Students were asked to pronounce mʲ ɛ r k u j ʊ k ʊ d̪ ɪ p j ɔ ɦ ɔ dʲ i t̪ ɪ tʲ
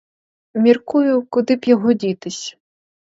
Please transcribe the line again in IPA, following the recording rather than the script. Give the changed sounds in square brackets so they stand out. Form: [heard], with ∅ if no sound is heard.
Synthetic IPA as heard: mʲ [i] r k u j ʊ k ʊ d̪ ɪ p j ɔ ɦ ɔ dʲ i t̪ ɪ [sʲ]